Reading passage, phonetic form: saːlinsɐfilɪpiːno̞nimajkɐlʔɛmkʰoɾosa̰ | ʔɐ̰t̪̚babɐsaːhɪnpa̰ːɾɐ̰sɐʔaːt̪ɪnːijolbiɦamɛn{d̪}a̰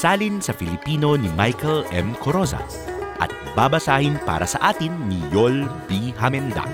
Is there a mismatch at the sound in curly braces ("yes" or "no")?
no